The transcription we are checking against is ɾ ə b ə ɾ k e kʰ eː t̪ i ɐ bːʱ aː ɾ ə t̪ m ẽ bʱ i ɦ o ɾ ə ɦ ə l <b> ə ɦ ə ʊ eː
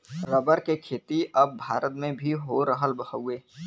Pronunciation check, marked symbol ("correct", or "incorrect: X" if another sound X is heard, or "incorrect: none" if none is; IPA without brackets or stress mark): correct